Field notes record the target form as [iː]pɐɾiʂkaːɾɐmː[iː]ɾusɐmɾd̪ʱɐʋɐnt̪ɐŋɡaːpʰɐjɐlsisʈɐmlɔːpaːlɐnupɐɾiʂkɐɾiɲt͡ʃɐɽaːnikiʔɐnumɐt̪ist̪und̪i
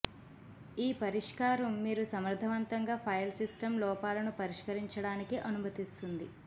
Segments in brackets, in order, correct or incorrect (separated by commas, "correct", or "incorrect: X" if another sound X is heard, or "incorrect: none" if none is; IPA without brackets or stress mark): correct, correct